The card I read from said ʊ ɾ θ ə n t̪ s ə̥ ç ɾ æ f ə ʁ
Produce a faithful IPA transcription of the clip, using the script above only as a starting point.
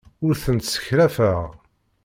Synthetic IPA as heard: ʊ ɾ θ ə n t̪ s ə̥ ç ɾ æ f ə ʁ